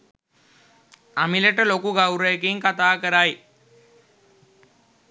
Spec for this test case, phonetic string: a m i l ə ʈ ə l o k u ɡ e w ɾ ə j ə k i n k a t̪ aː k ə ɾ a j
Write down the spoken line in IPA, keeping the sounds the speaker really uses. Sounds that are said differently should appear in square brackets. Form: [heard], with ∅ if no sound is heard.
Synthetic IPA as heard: a m i l ə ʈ ə l o k u ɡ [a] w ɾ ə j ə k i [ŋ] k a t̪ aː k ə ɾ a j